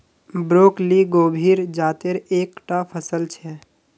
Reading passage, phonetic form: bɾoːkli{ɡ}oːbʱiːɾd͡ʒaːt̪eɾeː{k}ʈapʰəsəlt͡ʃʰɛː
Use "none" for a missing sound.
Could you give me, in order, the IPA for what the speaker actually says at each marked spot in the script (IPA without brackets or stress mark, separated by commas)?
ɡ, k